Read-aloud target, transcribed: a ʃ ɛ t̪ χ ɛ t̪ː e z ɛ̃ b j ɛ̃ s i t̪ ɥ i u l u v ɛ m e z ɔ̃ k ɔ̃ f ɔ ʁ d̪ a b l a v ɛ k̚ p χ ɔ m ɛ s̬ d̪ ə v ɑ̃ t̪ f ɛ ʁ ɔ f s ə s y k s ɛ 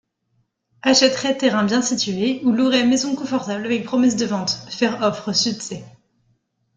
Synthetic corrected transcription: a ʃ ɛ t̪ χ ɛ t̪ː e ʁ ɛ̃ b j ɛ̃ s i t̪ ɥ e u l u ʁ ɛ m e z ɔ̃ k ɔ̃ f ɔ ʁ t̪ a b l a v ɛ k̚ p χ ɔ m ɛ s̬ d̪ ə v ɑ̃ t̪ f ɛ ʁ ɔ f χ ə s y k s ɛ